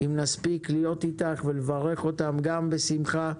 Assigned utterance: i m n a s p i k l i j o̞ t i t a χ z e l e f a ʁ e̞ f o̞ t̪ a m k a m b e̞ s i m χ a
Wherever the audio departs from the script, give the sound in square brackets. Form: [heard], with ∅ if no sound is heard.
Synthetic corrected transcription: i m n a s p i k l i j o̞ t i t a χ [v] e l e [v] a ʁ e̞ [χ] o̞ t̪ a m [ɡ] a m b e̞ s i m χ a